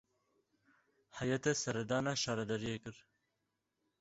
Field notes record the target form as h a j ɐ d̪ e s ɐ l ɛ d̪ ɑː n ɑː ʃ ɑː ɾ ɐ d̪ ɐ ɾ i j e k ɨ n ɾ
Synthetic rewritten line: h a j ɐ t̪ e s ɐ ɾ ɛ d̪ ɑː n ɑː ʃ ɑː ɾ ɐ d̪ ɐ ɾ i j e k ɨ ɾ